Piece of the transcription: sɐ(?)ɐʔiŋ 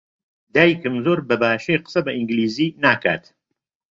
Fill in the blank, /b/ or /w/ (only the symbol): b